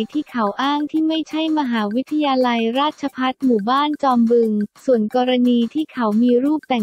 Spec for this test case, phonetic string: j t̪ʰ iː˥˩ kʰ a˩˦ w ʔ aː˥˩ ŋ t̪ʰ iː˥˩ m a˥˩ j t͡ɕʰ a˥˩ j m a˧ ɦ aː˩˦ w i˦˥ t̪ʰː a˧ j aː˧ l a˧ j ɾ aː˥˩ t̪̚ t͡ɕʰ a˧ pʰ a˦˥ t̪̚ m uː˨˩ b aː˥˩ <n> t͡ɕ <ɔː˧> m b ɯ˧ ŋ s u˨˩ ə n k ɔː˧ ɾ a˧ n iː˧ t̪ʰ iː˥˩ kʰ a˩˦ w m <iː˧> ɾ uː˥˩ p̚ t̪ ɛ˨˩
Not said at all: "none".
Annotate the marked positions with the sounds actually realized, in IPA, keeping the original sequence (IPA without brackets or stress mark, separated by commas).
n, ɔː˧, iː˧